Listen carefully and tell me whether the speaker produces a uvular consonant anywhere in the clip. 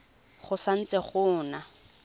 yes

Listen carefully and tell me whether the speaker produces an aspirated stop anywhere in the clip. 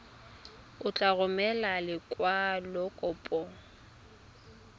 no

